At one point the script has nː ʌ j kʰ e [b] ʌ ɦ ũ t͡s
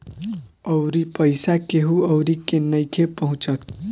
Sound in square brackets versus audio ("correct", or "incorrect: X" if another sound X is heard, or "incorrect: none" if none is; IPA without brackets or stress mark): incorrect: p